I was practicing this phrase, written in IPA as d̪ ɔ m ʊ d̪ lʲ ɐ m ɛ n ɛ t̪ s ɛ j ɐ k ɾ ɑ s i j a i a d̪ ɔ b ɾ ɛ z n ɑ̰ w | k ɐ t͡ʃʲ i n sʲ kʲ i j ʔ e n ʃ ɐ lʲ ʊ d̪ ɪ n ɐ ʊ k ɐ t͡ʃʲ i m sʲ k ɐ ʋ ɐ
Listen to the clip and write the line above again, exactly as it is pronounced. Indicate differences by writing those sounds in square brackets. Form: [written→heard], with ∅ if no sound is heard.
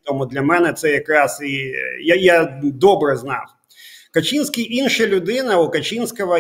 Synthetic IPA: [d̪→t̪] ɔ m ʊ d̪ lʲ ɐ m ɛ n ɛ t̪ s ɛ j ɐ k ɾ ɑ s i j a [i→j] a d̪ ɔ b ɾ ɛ z n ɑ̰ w | k ɐ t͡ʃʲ i n sʲ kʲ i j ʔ [e→i] n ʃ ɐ lʲ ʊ d̪ ɪ n ɐ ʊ k ɐ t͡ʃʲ i [m→n] sʲ k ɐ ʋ ɐ